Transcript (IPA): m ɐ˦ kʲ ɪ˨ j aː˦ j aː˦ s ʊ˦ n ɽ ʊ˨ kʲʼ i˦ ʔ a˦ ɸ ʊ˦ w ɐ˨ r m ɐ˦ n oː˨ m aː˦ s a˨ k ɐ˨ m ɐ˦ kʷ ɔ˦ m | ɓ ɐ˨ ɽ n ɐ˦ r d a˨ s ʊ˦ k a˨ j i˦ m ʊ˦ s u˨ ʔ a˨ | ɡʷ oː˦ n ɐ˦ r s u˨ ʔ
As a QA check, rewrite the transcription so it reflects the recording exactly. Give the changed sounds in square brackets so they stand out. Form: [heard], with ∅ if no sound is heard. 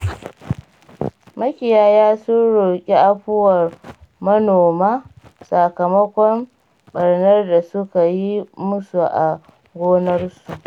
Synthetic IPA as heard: m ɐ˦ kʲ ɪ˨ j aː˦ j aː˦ s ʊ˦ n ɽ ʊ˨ kʲʼ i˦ ʔ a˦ ɸ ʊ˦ w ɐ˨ r m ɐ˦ n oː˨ m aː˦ s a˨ k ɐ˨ m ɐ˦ kʷ ɔ˦ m | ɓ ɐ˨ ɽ n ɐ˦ r d a˨ s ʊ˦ k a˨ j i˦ m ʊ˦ s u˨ ʔ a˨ | ɡʷ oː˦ n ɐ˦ r s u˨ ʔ